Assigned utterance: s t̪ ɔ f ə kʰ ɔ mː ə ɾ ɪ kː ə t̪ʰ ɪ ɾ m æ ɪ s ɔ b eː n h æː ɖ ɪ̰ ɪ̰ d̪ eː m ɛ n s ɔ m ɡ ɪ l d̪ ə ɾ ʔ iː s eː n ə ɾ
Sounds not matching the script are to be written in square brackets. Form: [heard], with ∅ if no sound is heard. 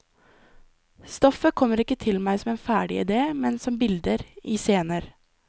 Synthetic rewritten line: s t̪ ɔ f ə kʰ ɔ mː ə ɾ ɪ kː ə t̪ʰ ɪ [l] m æ ɪ s ɔ [m] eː n [f] æː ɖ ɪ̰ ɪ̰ d̪ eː m ɛ n s ɔ m [b] ɪ l d̪ ə ɾ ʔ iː s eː n ə ɾ